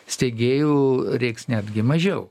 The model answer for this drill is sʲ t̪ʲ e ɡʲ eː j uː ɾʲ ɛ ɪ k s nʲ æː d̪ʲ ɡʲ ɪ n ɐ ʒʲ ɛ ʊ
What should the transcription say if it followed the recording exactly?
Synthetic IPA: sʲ t̪ʲ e ɡʲ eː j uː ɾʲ ɛ ɪ k s nʲ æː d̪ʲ ɡʲ ɪ m ɐ ʒʲ ɛ ʊ